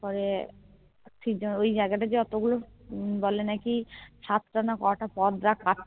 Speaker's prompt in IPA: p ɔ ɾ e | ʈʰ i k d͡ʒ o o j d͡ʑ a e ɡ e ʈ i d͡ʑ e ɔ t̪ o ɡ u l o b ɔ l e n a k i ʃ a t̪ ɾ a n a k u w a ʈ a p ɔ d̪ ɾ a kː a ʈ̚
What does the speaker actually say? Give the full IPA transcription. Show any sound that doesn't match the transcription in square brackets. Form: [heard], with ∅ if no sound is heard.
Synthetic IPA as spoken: p ɔ ɾ e | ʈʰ i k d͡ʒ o o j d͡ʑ a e ɡ [a] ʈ [a] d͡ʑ e ɔ t̪ o ɡ u l o b ɔ l e n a k i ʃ a t̪ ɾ a n a k [ɔ] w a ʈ a p ɔ d̪ ɾ a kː a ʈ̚